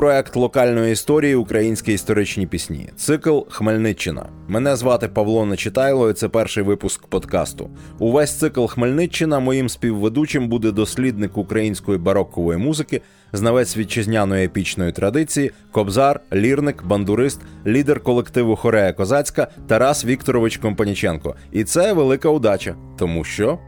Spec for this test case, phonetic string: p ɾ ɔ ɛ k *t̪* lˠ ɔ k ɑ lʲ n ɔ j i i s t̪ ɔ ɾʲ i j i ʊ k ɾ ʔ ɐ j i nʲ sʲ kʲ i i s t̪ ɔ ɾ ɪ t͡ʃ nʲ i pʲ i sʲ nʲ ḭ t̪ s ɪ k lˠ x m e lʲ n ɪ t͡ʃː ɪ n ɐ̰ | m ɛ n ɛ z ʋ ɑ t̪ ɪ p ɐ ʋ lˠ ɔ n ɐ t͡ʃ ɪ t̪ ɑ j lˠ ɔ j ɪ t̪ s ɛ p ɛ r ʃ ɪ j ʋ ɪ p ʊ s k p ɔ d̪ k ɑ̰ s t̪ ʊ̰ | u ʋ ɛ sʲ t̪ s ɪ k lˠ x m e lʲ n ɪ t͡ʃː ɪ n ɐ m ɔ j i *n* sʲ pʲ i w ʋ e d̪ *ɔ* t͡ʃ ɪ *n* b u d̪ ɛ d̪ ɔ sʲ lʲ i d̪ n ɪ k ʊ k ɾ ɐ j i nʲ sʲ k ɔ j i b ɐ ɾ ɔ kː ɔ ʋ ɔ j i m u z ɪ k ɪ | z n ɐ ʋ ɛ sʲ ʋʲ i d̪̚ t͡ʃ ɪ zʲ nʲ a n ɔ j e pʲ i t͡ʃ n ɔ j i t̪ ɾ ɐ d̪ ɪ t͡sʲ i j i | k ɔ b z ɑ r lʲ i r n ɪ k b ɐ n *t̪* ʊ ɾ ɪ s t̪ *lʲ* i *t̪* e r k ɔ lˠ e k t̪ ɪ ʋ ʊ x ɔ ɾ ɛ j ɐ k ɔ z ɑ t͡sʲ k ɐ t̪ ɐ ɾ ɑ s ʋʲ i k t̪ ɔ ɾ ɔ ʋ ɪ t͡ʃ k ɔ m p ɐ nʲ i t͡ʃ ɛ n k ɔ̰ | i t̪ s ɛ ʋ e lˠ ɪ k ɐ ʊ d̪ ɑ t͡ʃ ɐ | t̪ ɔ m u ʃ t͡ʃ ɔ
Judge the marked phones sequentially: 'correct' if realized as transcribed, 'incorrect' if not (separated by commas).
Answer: correct, incorrect, incorrect, incorrect, incorrect, correct, incorrect